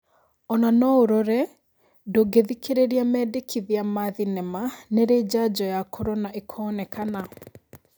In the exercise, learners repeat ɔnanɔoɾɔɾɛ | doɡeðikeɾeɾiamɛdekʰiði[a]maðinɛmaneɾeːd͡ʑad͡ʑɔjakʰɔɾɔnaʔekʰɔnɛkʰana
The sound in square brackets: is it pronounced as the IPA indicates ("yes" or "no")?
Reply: yes